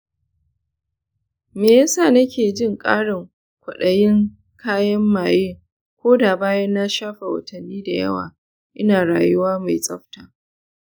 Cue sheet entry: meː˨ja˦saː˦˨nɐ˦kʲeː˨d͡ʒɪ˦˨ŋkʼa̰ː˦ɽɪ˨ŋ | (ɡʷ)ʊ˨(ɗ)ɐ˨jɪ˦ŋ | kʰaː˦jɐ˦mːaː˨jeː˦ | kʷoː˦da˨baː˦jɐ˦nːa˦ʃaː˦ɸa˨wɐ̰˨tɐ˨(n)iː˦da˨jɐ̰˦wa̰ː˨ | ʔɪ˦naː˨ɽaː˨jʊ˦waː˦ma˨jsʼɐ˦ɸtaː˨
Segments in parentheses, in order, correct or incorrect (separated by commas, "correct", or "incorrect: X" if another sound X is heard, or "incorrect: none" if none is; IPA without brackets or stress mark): incorrect: kʷ, correct, incorrect: nː